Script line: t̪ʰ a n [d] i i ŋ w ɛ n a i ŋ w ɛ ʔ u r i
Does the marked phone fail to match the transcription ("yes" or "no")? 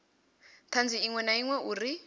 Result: yes